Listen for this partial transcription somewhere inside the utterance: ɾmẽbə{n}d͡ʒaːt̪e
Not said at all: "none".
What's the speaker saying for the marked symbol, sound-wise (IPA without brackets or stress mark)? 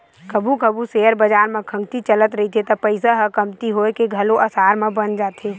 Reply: n